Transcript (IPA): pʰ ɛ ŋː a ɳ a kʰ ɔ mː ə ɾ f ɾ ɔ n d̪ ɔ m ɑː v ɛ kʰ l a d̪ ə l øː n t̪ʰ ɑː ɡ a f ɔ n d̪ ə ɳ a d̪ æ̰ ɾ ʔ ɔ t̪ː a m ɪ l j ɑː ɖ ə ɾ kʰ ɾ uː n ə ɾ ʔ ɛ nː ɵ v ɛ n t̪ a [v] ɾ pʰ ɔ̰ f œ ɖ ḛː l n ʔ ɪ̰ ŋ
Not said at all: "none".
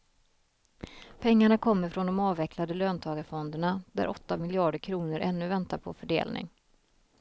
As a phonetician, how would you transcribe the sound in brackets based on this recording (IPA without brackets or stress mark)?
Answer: none